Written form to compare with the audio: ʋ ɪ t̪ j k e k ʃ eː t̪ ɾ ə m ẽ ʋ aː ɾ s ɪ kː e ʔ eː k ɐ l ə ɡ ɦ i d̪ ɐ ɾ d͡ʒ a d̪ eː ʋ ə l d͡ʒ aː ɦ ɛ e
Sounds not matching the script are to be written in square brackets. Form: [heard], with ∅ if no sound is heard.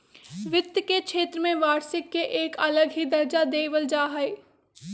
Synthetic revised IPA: ʋ ɪ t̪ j k e k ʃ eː t̪ ɾ ə m ẽ ʋ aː ɾ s ɪ kː e ʔ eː k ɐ l ə ɡ ɦ i d̪ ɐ ɾ d͡ʒ a d̪ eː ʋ ə l d͡ʒ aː ɦ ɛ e